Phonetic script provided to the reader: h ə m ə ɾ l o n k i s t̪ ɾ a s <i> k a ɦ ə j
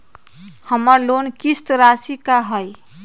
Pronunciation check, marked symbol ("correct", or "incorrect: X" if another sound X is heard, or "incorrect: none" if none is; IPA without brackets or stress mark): correct